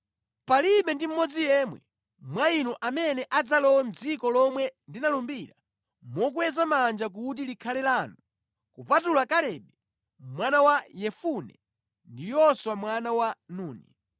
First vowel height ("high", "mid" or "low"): low